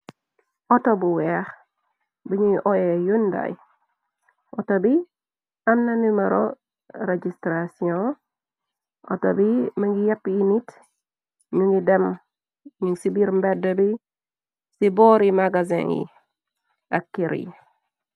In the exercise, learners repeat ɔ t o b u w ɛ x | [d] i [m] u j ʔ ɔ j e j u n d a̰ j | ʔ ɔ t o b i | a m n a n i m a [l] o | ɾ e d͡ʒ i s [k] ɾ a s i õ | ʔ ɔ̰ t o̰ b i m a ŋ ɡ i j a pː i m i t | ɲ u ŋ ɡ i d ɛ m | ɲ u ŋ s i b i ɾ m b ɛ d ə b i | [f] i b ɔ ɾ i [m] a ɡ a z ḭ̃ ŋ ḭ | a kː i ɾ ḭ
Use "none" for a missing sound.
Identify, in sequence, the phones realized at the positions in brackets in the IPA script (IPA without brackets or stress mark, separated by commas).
b, ɲ, ɾ, t, s, m